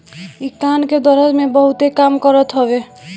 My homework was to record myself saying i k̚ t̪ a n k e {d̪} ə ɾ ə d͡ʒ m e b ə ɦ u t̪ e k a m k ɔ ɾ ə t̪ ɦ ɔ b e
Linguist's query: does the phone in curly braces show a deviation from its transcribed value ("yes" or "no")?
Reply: no